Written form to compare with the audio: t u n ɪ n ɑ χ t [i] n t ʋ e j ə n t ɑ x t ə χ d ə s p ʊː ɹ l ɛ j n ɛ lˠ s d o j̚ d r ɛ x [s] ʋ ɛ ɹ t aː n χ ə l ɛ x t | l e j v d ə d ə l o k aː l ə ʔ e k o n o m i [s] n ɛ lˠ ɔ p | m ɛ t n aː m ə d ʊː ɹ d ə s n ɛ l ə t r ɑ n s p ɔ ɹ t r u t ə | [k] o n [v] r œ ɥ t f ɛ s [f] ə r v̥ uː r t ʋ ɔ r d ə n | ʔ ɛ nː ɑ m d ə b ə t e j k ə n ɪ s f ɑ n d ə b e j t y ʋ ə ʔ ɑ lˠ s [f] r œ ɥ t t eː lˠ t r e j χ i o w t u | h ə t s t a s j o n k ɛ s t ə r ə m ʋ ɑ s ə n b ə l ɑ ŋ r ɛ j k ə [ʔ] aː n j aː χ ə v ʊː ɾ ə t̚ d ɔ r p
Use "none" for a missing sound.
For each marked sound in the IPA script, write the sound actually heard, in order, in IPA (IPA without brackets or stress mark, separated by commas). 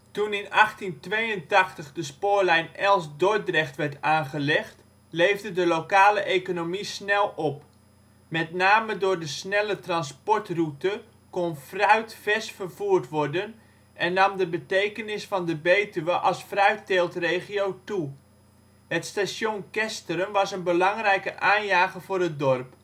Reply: i, t, s, k, f, f, f, ʔ